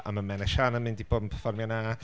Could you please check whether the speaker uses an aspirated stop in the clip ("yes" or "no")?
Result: yes